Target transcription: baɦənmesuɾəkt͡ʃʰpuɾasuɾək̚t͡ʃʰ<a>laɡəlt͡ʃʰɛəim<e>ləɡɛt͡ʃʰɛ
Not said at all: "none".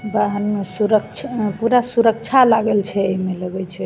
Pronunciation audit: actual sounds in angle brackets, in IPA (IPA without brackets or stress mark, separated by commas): a, e